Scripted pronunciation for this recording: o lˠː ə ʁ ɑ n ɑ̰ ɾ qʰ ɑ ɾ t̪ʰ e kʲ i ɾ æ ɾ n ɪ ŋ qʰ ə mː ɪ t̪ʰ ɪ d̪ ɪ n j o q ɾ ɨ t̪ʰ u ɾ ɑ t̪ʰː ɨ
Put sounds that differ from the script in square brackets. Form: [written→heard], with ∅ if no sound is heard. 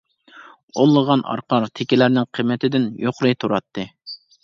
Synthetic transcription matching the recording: o lˠː ə ʁ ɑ n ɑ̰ ɾ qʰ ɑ ɾ t̪ʰ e kʲ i [ɾ→l] æ ɾ n ɪ ŋ qʰ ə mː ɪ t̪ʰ ɪ d̪ ɪ n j o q ɾ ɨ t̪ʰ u ɾ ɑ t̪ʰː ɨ